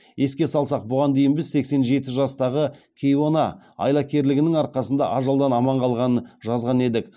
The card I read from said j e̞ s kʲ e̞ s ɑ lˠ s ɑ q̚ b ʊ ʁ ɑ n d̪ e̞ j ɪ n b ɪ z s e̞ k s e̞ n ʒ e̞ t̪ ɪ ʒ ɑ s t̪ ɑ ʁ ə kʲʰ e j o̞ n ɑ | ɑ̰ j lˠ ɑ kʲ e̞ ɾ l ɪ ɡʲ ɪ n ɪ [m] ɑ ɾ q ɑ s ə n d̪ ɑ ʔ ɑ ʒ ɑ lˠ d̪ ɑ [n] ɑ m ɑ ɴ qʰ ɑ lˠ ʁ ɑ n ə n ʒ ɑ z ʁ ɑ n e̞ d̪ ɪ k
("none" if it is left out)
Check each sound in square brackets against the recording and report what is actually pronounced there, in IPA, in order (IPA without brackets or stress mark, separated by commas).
ŋ, n